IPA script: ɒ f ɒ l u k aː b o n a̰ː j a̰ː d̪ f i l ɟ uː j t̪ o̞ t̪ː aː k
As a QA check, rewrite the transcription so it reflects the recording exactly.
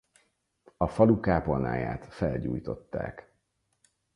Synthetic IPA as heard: ɒ f ɒ l u k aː p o n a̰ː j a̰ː t̪ f ɛ l ɟ uː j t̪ o̞ t̪ː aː k